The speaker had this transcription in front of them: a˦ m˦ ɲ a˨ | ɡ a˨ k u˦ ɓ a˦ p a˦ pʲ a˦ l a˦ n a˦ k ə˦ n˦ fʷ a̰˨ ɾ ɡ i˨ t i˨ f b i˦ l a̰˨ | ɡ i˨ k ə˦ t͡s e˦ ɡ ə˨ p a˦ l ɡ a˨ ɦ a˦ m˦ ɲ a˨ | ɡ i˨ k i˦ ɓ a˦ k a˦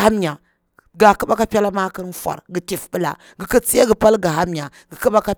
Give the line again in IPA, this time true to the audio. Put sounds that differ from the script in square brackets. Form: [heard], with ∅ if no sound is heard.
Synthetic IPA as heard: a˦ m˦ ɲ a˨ | ɡ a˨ k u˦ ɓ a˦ [k] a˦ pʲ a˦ l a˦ [m] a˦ k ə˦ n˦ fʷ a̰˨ ɾ ɡ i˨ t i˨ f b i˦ l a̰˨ | ɡ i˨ k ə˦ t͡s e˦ ɡ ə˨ p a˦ l ɡ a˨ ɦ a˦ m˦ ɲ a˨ | ɡ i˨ k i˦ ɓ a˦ k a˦